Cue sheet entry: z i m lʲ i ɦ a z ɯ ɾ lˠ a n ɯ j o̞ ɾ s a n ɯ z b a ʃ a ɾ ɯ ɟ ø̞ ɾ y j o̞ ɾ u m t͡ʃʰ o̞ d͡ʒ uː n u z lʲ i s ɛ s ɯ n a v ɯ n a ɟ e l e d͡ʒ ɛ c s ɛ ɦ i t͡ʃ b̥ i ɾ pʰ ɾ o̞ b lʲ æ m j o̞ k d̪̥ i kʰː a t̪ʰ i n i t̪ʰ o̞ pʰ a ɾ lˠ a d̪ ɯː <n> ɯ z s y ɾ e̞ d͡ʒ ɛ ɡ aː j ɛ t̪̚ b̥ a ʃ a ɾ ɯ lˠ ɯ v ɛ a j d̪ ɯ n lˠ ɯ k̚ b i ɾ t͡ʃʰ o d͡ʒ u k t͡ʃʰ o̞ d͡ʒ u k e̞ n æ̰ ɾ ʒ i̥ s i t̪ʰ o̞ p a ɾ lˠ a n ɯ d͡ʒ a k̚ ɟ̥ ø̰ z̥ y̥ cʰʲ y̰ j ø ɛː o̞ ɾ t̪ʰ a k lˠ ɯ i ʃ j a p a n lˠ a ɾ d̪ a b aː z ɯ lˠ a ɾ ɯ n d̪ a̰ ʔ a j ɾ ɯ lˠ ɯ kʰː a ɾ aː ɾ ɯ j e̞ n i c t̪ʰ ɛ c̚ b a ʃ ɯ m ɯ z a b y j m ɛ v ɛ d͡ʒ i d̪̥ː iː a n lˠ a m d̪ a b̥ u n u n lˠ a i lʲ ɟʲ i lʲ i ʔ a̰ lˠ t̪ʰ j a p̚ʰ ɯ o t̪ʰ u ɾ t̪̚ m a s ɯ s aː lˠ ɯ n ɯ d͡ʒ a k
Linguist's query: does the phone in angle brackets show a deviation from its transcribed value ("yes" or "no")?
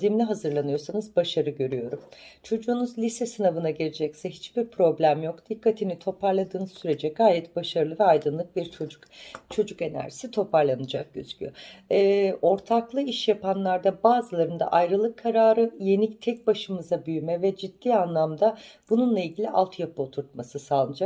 no